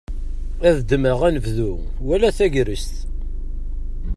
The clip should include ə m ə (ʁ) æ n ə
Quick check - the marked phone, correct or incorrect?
correct